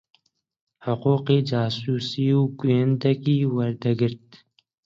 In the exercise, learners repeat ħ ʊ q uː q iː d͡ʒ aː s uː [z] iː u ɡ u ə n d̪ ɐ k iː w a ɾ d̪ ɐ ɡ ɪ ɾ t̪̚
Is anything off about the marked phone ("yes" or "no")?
yes